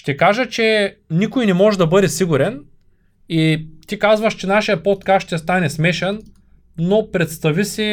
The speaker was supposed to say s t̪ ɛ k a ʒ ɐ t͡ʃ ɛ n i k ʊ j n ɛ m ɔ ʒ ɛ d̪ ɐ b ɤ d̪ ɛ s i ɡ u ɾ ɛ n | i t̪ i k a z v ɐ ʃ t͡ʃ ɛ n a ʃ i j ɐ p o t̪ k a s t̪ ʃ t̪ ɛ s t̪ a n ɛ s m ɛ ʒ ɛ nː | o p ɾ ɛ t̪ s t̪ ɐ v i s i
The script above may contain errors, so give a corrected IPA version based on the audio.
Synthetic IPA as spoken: ʃ t̪ ɛ k a ʒ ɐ t͡ʃ ɛ n i k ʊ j n ɛ m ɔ ʒ ɛ d̪ ɐ b ɤ d̪ ɛ s i ɡ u ɾ ɛ n | i t̪ i k a z v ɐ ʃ t͡ʃ ɛ n a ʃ i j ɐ p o t̪ k a s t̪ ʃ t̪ ɛ s t̪ a n ɛ s m ɛ ʃ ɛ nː | o p ɾ ɛ t̪ s t̪ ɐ v i s i